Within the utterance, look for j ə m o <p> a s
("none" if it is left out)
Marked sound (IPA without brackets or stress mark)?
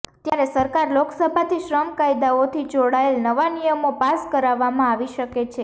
p